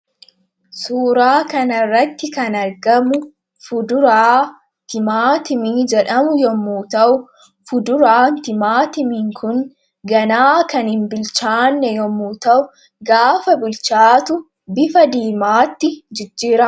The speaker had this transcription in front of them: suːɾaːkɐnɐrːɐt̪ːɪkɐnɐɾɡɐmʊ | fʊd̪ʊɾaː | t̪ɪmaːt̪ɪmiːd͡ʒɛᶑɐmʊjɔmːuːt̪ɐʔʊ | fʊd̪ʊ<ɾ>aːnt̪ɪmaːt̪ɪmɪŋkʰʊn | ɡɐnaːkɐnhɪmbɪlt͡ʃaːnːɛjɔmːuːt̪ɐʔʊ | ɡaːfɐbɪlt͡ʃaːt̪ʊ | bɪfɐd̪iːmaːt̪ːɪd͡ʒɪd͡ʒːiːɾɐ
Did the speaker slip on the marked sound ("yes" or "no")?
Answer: no